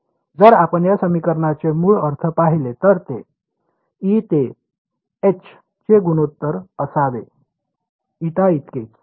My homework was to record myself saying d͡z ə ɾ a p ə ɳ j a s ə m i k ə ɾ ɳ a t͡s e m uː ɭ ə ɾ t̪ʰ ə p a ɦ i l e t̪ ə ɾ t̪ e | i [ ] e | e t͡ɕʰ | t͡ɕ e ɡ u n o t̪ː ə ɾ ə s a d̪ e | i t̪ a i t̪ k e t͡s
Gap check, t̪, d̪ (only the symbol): t̪